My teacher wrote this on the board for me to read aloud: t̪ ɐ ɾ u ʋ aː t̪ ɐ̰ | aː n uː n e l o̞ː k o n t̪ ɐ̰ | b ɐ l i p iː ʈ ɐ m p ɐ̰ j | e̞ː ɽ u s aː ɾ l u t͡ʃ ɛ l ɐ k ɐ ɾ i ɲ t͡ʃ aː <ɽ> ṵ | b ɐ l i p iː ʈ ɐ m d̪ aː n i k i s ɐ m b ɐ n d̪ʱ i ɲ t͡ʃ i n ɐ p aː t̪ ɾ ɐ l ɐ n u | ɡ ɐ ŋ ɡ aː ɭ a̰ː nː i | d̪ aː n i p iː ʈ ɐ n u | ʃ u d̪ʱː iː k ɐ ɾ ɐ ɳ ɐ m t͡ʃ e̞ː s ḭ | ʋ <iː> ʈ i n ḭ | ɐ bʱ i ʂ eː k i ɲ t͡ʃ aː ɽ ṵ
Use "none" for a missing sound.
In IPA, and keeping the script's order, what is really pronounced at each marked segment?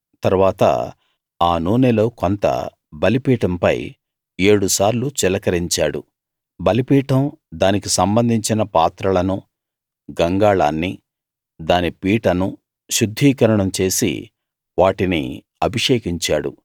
ɽ, aː

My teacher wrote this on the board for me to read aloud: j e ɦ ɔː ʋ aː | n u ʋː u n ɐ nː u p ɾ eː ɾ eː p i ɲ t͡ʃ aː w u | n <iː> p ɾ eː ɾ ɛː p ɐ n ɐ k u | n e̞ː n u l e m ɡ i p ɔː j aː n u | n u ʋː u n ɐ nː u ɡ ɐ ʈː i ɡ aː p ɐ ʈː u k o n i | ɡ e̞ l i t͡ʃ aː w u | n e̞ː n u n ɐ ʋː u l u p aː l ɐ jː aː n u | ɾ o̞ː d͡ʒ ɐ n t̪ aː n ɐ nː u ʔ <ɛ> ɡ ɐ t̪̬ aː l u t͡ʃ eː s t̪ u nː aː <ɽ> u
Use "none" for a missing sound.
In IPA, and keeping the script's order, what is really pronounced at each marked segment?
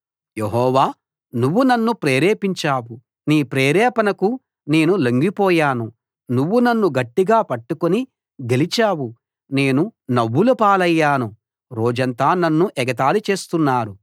iː, ɛ, ɾ

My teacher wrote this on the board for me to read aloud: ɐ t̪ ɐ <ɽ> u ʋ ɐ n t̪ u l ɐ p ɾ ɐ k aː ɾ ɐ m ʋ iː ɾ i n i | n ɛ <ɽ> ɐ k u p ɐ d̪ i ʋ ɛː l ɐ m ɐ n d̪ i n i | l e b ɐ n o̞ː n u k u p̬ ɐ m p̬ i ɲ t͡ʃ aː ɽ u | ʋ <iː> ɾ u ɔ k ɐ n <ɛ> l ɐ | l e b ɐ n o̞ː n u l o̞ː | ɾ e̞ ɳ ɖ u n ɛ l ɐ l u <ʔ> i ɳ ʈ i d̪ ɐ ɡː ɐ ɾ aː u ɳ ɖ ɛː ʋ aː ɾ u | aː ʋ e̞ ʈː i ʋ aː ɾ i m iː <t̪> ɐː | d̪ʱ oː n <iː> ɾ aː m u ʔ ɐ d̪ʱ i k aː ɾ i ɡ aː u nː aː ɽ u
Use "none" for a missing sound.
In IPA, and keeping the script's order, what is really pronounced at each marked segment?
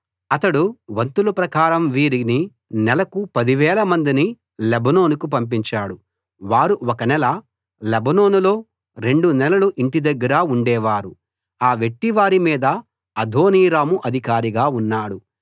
ɽ, l, aː, ɛ, ʔ, d̪, iː

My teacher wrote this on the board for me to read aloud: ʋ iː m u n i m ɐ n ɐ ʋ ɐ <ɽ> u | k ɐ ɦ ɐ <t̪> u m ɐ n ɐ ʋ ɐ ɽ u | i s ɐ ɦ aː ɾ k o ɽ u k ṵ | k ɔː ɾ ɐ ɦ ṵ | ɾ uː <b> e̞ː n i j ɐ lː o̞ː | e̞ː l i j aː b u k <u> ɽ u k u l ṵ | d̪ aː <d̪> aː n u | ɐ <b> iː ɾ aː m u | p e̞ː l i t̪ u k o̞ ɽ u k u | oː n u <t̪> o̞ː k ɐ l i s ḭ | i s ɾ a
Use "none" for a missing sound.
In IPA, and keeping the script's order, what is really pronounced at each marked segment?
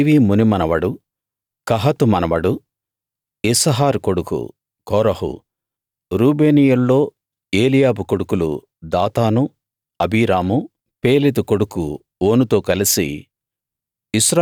ɽ, t̪, b, o, t̪, b, t̪

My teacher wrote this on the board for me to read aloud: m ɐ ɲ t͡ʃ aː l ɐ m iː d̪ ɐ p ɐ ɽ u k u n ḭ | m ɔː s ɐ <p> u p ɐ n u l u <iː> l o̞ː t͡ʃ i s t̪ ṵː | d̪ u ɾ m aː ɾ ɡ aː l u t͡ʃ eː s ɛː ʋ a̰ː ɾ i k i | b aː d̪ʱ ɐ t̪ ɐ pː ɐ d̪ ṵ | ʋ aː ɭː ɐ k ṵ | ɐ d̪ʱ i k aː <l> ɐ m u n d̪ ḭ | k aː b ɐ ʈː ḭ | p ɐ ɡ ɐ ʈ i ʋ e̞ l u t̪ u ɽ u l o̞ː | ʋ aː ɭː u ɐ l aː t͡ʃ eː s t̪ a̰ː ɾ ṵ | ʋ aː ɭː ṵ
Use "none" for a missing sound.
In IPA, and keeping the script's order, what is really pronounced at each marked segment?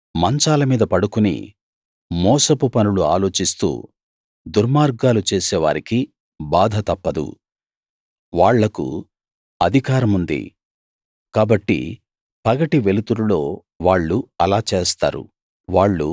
p, aː, ɾ

